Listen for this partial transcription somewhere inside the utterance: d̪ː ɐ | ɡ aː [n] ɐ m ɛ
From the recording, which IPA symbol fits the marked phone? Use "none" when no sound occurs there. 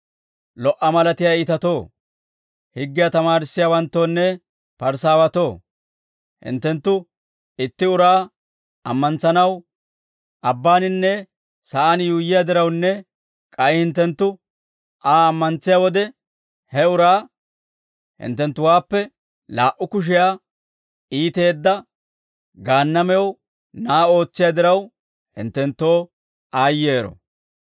nː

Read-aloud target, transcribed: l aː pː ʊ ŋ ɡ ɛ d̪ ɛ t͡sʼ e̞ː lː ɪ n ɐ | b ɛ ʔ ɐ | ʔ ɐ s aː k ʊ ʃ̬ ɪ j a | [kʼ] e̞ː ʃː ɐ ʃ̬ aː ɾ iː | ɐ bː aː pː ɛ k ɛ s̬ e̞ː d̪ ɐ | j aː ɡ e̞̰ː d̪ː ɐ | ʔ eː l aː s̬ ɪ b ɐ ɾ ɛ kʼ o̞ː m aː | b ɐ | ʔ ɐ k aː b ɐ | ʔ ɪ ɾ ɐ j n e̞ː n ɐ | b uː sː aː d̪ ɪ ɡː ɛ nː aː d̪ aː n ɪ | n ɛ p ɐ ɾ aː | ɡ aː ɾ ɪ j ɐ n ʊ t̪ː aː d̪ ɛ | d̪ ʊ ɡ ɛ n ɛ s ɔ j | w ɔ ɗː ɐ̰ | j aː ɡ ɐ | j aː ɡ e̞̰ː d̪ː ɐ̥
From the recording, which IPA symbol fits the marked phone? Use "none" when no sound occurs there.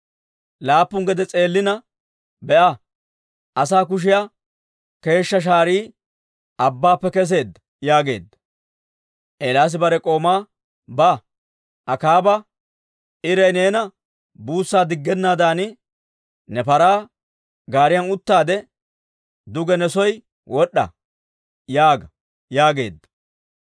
k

